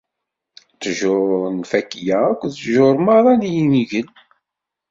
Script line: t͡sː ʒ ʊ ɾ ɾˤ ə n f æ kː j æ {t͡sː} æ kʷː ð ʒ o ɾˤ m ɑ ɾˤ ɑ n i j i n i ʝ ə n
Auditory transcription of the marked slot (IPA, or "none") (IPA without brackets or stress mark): none